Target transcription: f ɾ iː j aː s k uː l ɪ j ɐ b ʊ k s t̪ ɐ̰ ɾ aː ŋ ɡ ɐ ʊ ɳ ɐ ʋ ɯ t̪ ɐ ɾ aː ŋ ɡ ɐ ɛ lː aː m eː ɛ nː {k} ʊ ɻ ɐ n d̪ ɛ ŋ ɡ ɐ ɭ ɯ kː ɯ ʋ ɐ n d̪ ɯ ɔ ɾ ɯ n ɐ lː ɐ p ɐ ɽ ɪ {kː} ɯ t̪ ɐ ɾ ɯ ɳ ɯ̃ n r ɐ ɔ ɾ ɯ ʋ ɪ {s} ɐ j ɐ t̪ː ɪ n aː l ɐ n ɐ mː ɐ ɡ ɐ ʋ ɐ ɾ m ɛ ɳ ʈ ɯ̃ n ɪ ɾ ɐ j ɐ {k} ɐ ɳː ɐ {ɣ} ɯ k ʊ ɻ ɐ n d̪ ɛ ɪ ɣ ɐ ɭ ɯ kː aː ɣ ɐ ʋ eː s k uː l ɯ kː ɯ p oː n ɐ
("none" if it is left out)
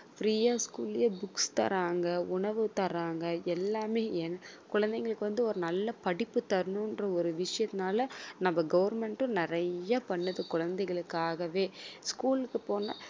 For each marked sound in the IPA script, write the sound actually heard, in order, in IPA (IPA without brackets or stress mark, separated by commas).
k, pː, ʂ, p, ð